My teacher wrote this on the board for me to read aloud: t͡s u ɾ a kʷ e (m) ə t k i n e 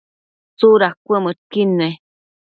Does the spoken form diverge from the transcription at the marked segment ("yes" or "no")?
no